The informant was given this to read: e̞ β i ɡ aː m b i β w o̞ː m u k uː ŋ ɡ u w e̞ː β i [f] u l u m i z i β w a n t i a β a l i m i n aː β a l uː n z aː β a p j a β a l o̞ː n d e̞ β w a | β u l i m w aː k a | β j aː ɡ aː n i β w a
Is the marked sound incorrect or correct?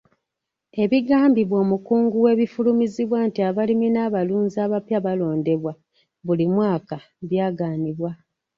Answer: correct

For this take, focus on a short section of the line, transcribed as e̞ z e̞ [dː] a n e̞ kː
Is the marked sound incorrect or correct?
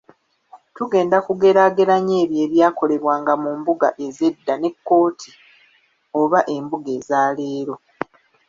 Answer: correct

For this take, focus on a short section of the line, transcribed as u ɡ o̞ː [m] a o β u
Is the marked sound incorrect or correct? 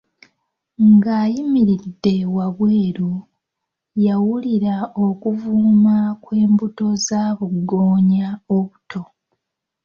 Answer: incorrect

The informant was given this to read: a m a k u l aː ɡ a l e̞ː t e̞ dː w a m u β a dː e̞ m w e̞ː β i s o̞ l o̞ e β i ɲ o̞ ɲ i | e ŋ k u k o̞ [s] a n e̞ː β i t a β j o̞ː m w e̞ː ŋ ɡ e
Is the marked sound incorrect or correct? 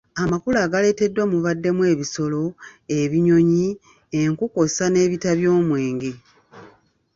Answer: correct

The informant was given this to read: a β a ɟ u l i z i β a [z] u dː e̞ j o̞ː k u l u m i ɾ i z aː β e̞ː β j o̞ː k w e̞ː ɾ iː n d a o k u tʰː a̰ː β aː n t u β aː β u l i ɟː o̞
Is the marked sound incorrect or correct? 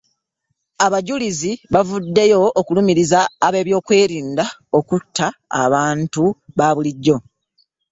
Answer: incorrect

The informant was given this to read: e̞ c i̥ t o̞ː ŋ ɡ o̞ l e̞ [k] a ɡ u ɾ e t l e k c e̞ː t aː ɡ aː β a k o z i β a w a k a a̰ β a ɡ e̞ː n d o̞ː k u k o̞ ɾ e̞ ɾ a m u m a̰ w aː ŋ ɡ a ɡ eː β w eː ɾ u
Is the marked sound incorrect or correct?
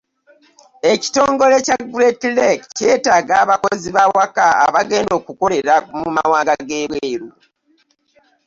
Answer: incorrect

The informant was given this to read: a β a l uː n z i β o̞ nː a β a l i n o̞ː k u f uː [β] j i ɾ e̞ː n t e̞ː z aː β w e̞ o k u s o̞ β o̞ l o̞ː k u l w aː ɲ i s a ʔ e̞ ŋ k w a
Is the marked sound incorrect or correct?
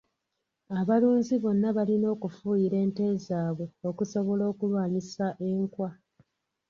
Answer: incorrect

